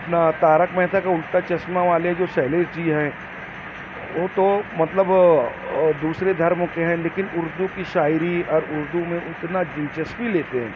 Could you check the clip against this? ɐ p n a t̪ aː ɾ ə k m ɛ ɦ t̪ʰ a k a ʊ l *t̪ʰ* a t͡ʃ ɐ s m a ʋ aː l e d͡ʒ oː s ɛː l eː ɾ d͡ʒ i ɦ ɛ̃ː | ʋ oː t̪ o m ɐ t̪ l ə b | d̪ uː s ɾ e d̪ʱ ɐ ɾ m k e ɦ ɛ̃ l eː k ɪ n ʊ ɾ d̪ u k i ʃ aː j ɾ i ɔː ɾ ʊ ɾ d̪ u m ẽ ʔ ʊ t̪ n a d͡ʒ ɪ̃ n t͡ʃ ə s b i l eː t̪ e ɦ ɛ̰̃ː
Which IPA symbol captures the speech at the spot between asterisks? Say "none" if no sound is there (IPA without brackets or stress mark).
t̪